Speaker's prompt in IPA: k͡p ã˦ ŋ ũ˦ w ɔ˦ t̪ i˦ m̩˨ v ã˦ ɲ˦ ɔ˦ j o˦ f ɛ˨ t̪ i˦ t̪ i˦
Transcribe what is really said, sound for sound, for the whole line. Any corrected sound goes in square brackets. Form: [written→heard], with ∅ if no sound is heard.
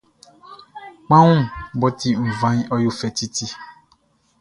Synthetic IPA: k͡p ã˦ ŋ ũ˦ [w→b] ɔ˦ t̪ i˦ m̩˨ v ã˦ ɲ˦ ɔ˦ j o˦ f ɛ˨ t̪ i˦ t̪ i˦